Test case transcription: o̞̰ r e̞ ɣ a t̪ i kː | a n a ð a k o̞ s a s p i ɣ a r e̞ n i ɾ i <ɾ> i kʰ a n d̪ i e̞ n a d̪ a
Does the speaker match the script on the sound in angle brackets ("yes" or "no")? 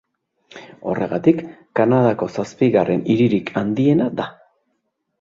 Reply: yes